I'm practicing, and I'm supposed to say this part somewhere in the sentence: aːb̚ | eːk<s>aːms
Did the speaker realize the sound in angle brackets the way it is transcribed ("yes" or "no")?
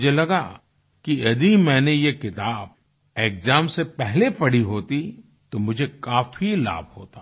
no